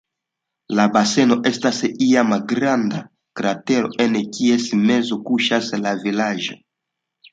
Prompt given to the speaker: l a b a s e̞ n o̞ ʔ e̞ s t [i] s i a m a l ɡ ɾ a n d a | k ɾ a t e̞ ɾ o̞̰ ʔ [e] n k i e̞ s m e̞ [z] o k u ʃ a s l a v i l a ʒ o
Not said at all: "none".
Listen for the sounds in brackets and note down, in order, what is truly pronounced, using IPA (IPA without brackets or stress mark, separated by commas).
a, e, z